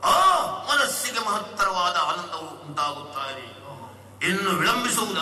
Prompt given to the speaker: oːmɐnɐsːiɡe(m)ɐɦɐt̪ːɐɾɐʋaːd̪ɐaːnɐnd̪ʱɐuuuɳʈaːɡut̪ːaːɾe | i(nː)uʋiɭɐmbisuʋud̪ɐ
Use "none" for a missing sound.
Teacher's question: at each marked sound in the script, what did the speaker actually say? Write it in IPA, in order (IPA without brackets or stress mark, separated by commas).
m, nː